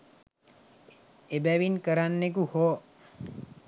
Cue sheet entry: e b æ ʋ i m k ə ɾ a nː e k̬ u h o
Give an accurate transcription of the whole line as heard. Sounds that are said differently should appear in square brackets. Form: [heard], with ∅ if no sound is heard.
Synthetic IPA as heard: e b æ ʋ i [n] k ə ɾ a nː e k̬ u h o